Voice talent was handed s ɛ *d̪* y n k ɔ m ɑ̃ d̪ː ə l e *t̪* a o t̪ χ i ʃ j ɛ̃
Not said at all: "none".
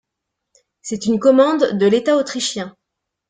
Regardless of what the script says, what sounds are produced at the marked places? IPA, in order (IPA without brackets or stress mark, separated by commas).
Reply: t̪, t̪